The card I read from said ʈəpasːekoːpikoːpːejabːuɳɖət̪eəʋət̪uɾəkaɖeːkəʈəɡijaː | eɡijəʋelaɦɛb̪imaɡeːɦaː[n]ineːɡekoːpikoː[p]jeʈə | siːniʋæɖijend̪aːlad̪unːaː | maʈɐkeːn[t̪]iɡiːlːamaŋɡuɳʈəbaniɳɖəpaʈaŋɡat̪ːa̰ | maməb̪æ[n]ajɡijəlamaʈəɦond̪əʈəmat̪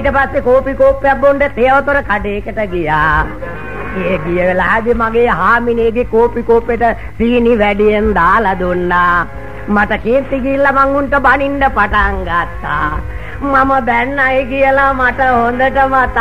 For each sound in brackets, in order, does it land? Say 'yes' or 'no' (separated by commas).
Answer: no, yes, yes, no